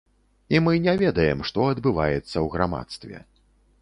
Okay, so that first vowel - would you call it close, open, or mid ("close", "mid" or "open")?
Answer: close